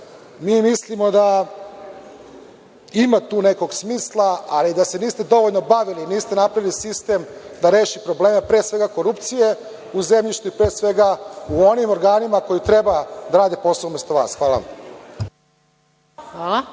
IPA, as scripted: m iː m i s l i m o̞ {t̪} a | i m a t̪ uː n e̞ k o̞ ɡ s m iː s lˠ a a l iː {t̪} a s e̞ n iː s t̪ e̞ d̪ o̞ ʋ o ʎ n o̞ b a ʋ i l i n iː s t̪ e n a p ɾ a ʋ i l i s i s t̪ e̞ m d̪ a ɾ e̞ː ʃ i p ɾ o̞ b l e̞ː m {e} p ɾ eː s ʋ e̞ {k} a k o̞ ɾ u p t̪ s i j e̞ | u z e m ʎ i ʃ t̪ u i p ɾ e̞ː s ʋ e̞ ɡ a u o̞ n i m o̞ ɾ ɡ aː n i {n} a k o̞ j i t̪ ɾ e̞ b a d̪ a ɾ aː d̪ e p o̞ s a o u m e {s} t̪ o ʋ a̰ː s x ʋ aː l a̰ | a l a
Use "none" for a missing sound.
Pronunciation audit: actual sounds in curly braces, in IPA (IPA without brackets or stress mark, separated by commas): d̪, d̪, e, ɡ, m, s